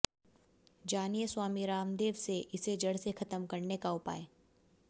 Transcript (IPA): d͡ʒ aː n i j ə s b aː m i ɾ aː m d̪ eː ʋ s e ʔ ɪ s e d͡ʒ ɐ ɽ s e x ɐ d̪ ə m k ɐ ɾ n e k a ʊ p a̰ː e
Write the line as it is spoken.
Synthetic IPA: d͡ʒ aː n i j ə s w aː m i ɾ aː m d̪ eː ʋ s e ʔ ɪ s e d͡ʒ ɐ ɽ s e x ɐ t̪ ə m k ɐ ɾ n e k a ʊ p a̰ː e

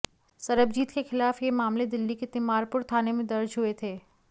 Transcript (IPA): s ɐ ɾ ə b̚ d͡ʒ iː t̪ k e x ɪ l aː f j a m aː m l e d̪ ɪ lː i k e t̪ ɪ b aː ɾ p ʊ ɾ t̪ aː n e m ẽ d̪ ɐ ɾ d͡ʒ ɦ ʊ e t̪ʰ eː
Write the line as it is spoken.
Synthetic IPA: s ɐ ɾ ə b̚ d͡ʒ iː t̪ k e x ɪ l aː f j e m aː m l e d̪ ɪ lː i k e t̪ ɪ m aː ɾ p ʊ ɾ t̪ʰ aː n e m ẽ d̪ ɐ ɾ d͡ʒ ɦ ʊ e t̪ʰ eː

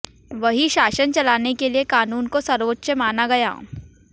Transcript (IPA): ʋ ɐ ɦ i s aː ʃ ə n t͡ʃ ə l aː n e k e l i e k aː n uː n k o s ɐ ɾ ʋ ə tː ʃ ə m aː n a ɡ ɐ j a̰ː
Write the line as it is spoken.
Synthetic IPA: ʋ ɐ ɦ i ʃ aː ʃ ə n t͡ʃ ɐ l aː n e k e l i e k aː n uː n k o s ɐ ɾ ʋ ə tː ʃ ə m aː n a ɡ ɐ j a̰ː

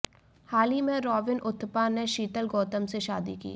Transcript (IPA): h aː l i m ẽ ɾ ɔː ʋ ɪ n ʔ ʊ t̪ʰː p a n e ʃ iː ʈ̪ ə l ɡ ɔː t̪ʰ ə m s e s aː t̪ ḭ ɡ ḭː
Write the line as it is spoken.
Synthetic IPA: h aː l i m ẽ ɾ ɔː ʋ ɪ n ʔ ʊ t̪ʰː p a n e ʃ iː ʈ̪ ə l ɡ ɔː t̪ ə m s e ʃ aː d̪ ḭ k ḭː

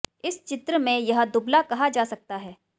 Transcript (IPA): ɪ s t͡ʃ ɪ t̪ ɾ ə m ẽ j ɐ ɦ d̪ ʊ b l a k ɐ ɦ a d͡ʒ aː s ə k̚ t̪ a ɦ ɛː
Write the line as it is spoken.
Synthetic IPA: ɪ s t͡ʃ ɪ t̪ ɾ ə m ẽ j ɐ ɦ d̪ ʊ b l a k ɐ ɦ a d͡ʒ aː s ɐ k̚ t̪ a ɦ ɛː

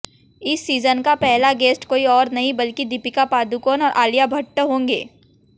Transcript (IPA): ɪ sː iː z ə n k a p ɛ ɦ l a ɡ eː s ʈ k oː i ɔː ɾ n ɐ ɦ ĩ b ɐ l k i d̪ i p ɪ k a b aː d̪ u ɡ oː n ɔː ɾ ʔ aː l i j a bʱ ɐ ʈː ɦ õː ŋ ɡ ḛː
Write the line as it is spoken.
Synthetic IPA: ɪ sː iː z ə n k a p ɛ ɦ l a ɡ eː s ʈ k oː i ɔː ɾ n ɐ ɦ ĩ b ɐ l k i d̪ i p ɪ k a p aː d̪ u k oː n ɔː ɾ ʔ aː l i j a bʱ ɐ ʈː ɦ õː ŋ ɡ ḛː

